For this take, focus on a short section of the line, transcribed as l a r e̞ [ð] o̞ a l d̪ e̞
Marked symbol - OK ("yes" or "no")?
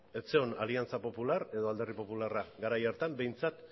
yes